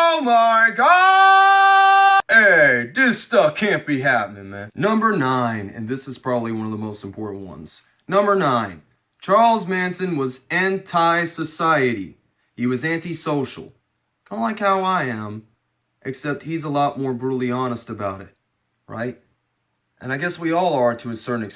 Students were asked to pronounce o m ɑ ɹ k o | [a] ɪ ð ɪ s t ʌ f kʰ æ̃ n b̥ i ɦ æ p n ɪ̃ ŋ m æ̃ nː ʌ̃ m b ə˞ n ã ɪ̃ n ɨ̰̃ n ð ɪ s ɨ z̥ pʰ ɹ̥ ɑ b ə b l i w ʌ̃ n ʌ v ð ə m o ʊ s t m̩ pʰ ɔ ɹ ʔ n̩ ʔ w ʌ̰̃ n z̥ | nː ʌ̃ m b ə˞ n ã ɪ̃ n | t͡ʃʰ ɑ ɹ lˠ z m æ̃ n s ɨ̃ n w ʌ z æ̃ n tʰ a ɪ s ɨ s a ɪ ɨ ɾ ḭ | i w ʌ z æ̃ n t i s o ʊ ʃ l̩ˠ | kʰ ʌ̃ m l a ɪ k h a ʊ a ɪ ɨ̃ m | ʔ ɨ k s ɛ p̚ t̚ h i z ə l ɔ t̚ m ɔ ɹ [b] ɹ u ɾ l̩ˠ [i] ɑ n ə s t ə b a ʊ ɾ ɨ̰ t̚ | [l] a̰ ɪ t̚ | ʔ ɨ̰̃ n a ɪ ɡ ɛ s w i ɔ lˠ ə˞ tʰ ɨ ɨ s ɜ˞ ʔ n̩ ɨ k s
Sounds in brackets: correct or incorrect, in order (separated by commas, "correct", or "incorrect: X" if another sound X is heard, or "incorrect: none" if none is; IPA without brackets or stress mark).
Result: incorrect: e, correct, correct, incorrect: ɹ